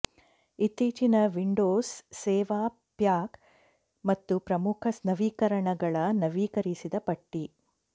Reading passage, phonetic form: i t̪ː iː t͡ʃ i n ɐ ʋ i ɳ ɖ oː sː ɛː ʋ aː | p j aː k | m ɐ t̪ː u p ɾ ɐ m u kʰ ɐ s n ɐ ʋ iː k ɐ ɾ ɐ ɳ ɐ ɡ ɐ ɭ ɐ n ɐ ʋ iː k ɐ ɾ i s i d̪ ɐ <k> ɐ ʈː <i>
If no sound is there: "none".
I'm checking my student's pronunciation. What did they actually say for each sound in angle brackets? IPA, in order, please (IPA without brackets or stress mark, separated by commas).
p, i